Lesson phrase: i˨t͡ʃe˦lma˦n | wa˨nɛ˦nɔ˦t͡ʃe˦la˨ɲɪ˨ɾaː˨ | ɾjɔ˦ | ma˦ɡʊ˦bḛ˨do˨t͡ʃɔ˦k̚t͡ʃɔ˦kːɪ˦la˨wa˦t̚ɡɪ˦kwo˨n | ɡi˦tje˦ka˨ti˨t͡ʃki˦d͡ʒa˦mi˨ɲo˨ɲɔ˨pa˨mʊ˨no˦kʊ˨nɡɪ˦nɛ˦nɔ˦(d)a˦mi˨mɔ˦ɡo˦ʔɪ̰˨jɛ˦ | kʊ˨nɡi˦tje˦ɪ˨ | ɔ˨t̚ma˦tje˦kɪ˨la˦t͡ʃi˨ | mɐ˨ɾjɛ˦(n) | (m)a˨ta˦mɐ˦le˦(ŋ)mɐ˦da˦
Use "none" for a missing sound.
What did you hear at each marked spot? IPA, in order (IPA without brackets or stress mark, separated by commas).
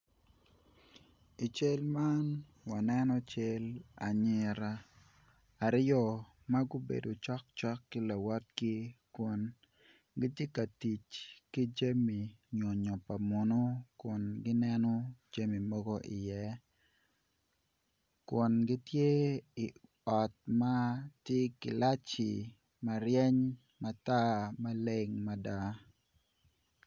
d͡ʒ, ɲ, m, ŋ